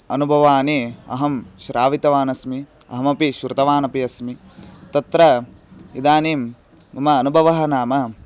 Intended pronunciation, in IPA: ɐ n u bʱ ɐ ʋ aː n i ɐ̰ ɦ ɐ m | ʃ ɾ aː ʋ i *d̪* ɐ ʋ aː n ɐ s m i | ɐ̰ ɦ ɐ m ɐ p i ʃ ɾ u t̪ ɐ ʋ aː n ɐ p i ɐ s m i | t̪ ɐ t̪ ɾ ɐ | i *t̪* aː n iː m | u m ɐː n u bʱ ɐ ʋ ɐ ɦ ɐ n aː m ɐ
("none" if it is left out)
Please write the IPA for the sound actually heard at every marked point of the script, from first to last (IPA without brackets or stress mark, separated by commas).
t̪, d̪